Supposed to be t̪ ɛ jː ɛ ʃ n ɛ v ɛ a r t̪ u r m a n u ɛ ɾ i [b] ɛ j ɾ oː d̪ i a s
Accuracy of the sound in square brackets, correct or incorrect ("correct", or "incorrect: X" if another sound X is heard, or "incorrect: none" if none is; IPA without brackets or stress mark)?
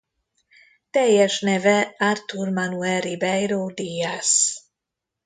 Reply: correct